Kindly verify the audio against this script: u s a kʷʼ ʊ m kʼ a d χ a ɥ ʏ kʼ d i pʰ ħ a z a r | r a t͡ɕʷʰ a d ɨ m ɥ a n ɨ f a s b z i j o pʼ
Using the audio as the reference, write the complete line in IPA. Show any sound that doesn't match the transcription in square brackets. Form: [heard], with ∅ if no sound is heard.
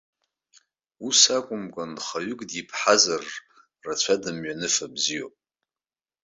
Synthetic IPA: u s a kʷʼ ʊ m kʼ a [n] χ a ɥ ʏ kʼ d i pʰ ħ a z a r | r a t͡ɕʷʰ a d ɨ m ɥ a n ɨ f a [∅] b z i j o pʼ